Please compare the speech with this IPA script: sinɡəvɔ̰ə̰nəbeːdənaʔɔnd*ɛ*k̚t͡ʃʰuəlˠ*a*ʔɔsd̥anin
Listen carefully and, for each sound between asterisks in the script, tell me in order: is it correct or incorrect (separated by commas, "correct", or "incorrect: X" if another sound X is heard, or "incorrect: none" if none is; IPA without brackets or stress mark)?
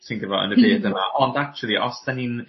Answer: incorrect: a, incorrect: i